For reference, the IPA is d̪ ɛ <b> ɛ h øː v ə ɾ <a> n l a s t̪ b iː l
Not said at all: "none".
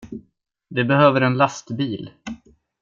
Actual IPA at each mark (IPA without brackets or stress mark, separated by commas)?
b, ɛ